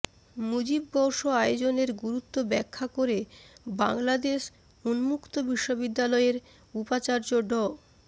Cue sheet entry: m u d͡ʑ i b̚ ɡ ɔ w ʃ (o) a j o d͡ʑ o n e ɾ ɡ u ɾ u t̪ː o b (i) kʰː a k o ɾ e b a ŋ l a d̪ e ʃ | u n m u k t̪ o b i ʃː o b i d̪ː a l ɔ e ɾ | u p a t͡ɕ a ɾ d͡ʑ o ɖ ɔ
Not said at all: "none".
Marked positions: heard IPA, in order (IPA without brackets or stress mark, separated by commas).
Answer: o, ɛ